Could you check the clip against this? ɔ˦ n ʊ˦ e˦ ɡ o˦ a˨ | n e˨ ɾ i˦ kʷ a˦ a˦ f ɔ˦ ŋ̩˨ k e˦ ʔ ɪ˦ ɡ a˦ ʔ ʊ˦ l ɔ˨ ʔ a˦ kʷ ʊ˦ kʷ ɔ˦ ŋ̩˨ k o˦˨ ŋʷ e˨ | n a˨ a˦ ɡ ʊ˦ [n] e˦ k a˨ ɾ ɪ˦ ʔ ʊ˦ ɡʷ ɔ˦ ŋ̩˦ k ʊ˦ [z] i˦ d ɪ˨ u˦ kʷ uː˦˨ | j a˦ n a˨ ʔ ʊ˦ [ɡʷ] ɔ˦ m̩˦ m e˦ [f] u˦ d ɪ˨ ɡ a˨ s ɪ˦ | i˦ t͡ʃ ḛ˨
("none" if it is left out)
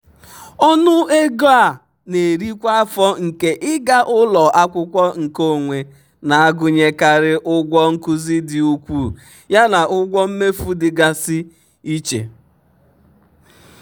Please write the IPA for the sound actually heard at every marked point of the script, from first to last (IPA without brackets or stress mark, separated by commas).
ɲ, z, ɡʷ, f